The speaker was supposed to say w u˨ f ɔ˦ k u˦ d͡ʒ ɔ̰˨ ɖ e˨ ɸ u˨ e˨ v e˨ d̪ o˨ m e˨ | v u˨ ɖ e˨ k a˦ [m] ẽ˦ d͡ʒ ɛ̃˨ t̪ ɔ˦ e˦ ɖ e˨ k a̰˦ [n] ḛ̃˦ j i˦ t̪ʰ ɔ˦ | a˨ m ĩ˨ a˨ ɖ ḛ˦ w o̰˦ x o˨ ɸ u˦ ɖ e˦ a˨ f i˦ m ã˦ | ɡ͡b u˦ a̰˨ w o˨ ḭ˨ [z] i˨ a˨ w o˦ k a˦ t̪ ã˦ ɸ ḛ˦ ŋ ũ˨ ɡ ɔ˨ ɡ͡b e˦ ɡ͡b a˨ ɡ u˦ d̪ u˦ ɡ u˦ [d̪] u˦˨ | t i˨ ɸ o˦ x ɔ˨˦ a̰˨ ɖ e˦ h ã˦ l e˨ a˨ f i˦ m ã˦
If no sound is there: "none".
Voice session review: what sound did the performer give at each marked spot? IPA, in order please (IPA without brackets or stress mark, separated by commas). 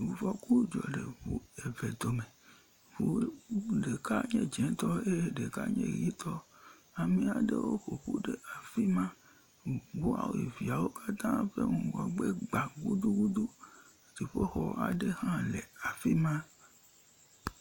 ɲ, ɲ, v, d̪